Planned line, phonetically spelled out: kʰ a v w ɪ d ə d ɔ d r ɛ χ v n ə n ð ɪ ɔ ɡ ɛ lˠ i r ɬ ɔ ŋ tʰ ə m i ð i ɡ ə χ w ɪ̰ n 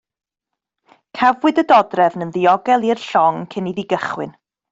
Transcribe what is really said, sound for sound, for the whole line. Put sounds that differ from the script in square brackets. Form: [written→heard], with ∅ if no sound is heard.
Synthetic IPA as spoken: kʰ a v w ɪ d ə d ɔ d r ɛ [χ→∅] v n ə n ð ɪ ɔ ɡ ɛ lˠ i r ɬ ɔ ŋ [tʰ→kʰ] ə [m→n] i ð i ɡ ə χ w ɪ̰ n